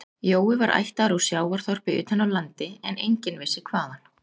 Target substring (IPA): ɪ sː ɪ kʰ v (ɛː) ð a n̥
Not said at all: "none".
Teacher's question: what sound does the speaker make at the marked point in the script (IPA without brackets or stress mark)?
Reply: aː